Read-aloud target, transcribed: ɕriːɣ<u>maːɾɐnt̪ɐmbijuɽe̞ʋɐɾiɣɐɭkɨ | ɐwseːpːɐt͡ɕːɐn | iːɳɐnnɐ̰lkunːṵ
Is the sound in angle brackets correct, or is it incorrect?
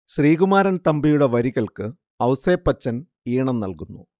correct